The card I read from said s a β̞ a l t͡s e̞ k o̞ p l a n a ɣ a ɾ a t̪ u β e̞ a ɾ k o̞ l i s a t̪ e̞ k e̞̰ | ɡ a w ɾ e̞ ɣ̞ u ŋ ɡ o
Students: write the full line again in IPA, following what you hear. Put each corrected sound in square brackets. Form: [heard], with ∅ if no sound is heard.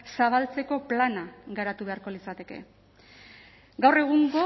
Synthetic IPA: s a β̞ a l t͡s e̞ k o̞ p l a n a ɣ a ɾ a t̪ u β e̞ a ɾ k o̞ l i s a t̪ e̞ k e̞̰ | ɡ a w [r] e̞ ɣ̞ u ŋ ɡ o